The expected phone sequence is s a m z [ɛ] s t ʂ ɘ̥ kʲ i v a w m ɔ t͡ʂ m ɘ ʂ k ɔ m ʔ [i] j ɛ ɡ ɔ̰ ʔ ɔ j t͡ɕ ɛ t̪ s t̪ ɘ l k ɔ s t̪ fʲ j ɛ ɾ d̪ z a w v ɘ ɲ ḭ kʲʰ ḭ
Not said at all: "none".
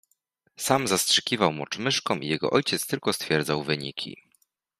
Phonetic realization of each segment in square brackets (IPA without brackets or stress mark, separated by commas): a, i